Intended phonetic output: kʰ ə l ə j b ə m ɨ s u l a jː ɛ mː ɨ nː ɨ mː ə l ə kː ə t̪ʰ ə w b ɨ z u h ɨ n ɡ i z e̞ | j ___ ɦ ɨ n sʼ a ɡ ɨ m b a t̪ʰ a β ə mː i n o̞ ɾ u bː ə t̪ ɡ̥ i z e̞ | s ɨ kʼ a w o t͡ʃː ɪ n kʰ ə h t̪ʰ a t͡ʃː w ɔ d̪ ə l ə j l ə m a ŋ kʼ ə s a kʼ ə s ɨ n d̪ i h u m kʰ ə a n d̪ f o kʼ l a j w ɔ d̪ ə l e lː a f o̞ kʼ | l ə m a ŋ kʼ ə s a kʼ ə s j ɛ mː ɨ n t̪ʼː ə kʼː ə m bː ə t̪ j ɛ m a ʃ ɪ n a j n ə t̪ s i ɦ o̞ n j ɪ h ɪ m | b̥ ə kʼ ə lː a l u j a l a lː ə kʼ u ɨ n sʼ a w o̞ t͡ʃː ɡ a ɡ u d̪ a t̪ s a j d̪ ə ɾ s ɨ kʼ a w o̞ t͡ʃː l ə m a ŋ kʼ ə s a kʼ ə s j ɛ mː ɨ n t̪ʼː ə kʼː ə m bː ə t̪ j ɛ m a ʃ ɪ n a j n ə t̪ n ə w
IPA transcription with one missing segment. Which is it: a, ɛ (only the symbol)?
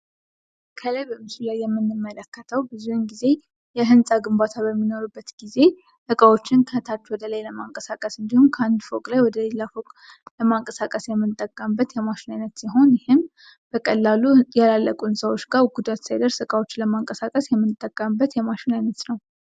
ɛ